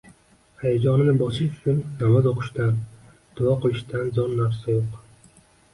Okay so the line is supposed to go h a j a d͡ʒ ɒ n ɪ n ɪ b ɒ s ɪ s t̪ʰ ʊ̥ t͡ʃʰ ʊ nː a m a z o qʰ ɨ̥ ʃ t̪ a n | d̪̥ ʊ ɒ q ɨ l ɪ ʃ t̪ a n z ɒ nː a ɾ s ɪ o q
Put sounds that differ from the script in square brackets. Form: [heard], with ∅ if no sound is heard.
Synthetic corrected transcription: h a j a d͡ʒ ɒ n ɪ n ɪ b ɒ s ɪ [ʃ] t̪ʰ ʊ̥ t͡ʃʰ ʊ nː a m a z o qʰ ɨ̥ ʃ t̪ a n | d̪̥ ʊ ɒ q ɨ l ɪ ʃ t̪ a n z ɒ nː a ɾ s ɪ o q